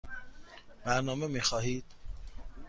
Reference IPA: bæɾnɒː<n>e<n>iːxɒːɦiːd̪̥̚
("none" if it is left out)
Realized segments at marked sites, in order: m, m

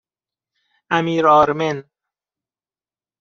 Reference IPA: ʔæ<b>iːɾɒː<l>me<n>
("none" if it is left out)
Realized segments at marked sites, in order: m, ɾ, n

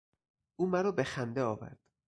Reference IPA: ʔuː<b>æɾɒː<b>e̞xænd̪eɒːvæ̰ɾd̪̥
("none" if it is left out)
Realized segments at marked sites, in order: m, b

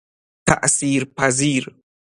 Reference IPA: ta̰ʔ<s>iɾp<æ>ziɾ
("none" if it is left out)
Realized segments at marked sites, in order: s, a

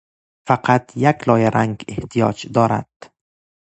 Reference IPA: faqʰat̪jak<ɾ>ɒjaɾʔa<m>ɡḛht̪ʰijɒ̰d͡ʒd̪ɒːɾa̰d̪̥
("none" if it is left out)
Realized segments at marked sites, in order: l, ŋ

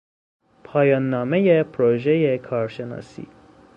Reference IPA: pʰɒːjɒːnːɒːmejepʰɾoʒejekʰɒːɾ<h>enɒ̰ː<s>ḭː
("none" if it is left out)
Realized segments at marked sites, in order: ʃ, s

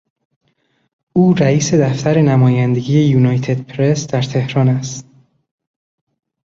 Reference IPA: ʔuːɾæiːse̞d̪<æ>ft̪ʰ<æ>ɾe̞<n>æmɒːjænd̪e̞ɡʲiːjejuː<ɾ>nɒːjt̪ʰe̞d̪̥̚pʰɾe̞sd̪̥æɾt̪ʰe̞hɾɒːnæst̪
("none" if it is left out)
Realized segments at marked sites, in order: æ, æ, n, none

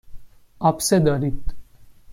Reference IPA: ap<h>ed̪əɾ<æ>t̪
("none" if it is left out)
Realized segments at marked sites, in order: s, i

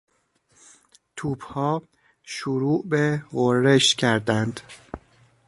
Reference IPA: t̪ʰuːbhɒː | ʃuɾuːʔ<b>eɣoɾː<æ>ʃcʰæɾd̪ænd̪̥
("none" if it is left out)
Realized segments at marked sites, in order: b, e

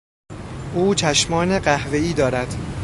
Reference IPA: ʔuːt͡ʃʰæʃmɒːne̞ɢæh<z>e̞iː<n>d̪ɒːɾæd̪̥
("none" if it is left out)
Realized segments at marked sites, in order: v, none

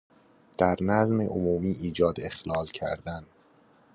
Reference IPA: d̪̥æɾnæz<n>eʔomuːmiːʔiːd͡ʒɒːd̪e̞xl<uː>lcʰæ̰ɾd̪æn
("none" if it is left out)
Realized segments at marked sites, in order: m, ɒː

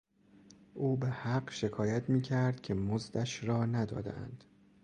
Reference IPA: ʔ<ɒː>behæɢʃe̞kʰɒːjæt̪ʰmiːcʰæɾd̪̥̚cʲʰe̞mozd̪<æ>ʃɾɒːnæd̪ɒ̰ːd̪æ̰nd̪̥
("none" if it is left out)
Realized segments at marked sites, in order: uː, æ

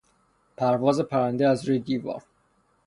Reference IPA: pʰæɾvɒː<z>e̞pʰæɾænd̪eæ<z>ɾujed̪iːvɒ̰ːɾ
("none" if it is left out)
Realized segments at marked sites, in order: z, z

